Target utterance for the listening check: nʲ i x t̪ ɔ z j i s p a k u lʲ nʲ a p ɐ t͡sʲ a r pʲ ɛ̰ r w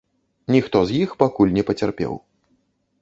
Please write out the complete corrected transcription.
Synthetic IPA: nʲ i x t̪ ɔ z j i x p a k u lʲ nʲ ɛ p ɐ t͡sʲ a r pʲ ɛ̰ w